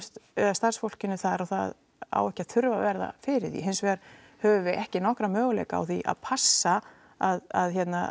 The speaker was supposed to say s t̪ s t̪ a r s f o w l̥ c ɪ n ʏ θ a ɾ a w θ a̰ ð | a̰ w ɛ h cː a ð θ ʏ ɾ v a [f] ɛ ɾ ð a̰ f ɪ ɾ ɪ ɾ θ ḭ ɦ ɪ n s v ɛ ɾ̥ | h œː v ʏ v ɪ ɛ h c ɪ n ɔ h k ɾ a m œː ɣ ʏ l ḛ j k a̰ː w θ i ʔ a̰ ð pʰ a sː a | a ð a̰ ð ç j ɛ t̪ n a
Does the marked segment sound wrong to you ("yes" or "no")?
yes